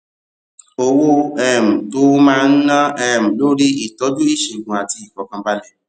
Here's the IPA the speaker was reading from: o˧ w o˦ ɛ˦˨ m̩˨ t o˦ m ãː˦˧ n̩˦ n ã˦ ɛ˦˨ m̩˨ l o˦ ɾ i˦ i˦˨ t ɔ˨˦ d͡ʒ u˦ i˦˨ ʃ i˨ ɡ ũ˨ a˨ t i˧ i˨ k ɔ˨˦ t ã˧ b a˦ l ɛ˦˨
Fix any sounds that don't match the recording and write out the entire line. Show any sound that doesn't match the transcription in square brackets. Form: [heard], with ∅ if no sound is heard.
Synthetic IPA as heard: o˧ w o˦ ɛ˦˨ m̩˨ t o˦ m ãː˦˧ n̩˦ n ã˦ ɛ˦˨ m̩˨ l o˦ ɾ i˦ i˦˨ t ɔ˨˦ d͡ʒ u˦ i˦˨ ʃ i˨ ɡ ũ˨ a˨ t i˧ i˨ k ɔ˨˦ [k] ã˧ b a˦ l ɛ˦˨